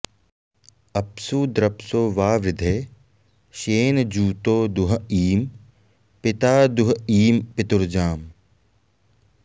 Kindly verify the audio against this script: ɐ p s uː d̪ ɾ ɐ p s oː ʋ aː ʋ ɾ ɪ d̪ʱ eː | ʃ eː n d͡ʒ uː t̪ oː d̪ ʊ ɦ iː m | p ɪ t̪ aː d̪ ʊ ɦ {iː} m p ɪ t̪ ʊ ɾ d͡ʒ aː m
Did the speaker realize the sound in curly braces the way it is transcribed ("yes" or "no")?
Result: yes